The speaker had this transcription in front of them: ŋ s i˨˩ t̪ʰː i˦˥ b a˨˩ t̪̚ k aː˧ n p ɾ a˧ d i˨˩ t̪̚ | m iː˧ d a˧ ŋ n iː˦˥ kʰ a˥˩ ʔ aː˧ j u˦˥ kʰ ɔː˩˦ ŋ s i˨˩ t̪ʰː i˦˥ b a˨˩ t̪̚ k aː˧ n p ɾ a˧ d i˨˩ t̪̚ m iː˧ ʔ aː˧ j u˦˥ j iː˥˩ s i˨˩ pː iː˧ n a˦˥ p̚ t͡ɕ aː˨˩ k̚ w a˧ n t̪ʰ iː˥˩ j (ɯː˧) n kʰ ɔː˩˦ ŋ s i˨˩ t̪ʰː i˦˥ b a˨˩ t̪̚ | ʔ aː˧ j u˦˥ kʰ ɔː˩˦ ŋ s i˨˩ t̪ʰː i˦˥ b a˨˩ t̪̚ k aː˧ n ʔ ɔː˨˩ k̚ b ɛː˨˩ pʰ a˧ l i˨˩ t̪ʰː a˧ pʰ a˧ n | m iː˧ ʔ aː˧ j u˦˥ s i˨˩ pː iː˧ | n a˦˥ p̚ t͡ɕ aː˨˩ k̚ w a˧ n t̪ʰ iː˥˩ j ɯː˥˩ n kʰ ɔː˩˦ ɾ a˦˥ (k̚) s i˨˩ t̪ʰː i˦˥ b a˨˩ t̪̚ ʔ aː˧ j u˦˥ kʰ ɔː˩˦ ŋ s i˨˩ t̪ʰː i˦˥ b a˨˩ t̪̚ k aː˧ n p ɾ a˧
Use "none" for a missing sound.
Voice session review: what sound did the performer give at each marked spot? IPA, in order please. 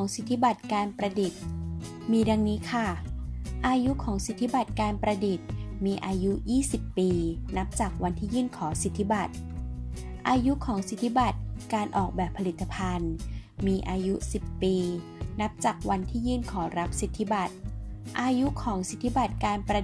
ɯː˥˩, p̚

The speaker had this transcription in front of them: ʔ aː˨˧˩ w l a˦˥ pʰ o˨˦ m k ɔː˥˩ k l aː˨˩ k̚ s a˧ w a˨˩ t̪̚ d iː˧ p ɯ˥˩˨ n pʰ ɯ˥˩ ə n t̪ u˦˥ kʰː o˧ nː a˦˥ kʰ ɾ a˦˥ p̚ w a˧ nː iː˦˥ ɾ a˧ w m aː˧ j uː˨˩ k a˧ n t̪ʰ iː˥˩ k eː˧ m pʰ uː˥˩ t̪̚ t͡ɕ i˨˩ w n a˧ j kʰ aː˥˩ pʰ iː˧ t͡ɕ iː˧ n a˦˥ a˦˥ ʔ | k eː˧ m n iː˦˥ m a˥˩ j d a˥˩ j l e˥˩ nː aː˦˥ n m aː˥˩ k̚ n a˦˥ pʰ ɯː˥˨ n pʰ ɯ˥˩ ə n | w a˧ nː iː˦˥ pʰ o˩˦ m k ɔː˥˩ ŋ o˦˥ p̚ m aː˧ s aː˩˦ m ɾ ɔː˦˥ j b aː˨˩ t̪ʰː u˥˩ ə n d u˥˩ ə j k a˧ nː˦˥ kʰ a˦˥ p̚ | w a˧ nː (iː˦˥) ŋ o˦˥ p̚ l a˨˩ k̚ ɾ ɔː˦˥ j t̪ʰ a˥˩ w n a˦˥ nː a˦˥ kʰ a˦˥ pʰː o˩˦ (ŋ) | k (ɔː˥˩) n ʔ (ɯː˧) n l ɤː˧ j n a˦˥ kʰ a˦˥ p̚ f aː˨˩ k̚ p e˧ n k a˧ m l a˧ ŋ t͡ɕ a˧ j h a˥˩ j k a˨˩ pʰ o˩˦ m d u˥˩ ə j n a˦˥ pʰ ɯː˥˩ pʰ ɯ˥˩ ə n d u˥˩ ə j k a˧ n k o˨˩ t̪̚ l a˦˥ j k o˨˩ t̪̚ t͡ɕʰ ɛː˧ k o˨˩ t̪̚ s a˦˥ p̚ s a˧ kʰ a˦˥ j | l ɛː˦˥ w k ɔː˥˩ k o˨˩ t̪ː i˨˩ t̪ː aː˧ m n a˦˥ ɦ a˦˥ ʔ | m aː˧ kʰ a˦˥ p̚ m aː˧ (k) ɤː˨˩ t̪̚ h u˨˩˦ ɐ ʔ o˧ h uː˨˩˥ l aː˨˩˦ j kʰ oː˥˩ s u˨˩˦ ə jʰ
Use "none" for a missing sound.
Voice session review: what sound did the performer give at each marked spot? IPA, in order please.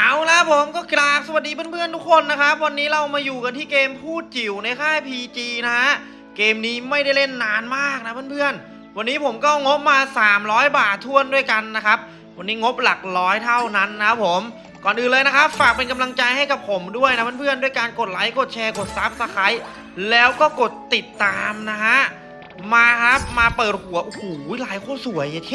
iː˦˥, m, ɔː˨˩, ɯː˨˩, p

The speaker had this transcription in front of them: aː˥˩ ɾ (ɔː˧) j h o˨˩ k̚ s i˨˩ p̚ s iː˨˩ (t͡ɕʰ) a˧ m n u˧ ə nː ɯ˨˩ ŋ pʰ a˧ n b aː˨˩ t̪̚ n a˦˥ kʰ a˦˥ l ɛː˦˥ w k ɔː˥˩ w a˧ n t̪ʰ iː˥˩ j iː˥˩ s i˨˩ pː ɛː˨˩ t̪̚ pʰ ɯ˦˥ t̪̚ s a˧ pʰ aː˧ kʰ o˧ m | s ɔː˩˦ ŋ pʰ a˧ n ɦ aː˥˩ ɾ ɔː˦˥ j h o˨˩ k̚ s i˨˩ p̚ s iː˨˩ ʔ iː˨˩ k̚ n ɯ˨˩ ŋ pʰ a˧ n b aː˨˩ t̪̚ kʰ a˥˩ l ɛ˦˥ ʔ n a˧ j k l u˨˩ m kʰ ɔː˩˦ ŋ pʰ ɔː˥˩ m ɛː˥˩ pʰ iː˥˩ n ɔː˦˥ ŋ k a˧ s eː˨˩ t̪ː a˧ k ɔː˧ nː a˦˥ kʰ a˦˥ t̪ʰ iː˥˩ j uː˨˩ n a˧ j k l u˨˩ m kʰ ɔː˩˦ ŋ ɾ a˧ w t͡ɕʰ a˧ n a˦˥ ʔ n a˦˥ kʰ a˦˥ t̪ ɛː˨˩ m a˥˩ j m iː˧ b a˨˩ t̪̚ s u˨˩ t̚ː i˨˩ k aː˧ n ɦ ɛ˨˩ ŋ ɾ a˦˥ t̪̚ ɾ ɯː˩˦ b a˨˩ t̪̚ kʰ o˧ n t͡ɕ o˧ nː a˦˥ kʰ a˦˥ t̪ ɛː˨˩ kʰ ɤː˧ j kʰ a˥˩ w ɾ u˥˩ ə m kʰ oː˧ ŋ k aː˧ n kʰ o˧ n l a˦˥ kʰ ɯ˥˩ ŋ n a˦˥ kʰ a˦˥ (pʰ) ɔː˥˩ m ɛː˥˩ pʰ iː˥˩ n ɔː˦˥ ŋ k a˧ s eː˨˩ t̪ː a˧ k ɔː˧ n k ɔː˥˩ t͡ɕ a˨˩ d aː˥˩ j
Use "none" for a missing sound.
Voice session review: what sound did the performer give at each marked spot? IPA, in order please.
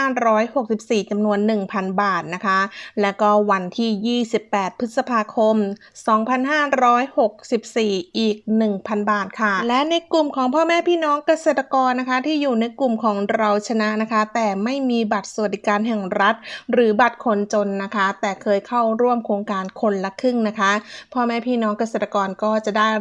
ɔː˦˥, t͡ɕ, pʰ

